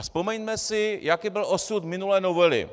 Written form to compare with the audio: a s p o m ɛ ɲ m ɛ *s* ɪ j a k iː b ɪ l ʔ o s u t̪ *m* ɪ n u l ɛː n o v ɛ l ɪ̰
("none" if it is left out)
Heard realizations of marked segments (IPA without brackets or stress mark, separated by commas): s, m